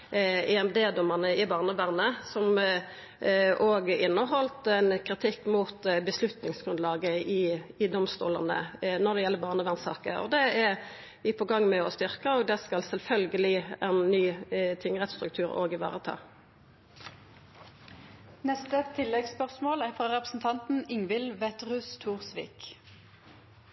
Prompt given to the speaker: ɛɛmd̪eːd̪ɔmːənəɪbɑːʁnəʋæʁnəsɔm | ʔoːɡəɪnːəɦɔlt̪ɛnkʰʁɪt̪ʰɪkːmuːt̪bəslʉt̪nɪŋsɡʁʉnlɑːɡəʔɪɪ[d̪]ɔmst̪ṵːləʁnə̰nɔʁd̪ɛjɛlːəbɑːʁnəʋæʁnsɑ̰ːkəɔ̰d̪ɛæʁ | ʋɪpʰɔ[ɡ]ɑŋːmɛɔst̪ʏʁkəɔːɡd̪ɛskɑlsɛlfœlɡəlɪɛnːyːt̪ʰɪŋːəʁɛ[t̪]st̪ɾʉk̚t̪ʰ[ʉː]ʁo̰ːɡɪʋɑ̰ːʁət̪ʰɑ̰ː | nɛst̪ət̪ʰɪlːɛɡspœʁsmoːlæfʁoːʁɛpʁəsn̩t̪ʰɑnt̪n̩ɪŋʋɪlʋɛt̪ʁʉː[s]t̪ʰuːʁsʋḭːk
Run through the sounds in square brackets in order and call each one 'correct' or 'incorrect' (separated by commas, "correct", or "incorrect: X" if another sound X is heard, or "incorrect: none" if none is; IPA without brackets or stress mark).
correct, correct, correct, correct, correct